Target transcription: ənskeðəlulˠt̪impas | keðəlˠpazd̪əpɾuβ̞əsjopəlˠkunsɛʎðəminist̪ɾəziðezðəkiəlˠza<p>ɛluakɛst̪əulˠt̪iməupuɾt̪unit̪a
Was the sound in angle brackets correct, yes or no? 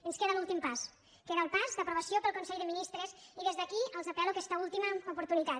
yes